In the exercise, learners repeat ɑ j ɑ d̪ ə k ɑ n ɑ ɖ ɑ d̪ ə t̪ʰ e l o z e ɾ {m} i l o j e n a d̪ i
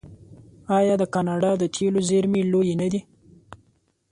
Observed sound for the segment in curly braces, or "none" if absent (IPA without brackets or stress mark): m